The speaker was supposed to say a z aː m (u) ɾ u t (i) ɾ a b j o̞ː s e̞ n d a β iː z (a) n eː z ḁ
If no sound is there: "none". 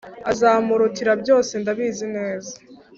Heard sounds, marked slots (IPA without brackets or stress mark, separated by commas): u, i, i